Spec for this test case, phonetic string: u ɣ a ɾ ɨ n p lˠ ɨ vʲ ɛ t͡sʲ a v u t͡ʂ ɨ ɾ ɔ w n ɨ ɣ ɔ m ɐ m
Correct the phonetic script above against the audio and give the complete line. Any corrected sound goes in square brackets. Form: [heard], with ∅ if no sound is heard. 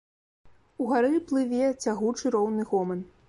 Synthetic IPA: u ɣ a ɾ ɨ [∅] p lˠ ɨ vʲ ɛ t͡sʲ a [ɣ] u t͡ʂ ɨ ɾ ɔ w n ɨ ɣ ɔ m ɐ [n]